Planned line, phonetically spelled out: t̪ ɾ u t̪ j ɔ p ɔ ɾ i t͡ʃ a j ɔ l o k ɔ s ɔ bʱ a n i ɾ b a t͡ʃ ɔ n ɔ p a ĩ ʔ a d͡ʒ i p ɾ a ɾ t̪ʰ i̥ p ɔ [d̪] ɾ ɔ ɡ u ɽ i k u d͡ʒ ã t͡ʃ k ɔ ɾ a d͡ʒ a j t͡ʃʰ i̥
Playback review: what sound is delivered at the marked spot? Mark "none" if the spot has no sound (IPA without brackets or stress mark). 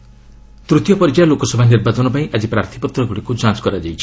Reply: t̪